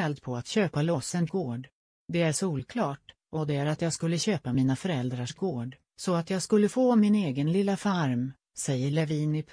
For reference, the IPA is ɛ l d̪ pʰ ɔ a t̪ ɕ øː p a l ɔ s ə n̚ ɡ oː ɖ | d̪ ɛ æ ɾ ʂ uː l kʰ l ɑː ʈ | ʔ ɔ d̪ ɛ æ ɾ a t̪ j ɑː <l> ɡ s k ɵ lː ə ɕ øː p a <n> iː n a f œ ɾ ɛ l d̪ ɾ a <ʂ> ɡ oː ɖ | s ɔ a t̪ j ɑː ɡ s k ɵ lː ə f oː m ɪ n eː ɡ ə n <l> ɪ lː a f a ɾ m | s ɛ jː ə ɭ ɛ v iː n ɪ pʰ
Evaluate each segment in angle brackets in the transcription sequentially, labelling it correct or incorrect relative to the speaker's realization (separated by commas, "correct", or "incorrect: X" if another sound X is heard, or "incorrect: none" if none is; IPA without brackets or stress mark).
incorrect: none, incorrect: m, correct, correct